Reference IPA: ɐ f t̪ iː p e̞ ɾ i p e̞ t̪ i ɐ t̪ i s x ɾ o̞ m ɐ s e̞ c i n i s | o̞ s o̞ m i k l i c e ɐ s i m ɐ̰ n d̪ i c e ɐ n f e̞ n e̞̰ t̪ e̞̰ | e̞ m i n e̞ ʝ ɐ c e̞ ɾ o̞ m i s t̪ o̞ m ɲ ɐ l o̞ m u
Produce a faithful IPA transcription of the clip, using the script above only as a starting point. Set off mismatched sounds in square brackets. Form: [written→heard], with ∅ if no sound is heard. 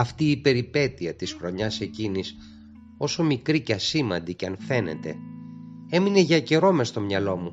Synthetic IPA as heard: ɐ f t̪ iː p e̞ ɾ i p e̞ t̪ i ɐ t̪ i s x ɾ o̞ [m→ɲ] ɐ s e̞ c i n i s | o̞ s o̞ m i k [l→ɾ] i c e ɐ s i m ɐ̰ n d̪ i c e ɐ n f e̞ n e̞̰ t̪ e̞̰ | e̞ m i n e̞ ʝ ɐ c e̞ ɾ o̞ m [i→e] s t̪ o̞ m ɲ ɐ l o̞ m u